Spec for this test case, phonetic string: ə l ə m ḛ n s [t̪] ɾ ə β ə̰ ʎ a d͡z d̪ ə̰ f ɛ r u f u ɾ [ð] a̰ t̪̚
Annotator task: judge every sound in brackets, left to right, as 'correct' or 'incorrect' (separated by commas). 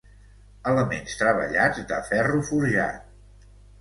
correct, incorrect